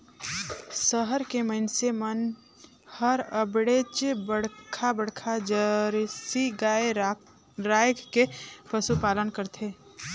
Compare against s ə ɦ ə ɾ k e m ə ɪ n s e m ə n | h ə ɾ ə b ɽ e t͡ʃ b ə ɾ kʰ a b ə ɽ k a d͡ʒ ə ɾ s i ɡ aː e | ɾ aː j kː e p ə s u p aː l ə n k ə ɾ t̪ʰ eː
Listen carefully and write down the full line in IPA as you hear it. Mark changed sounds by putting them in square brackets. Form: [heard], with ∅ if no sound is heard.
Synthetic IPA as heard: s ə ɦ ə ɾ k e m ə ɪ n s e m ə n | h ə ɾ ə b ɽ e t͡ʃ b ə [ɽ] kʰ a b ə ɽ [kʰ] a d͡ʒ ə ɾ s i ɡ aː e | ɾ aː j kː e p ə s u p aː l ə n k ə ɾ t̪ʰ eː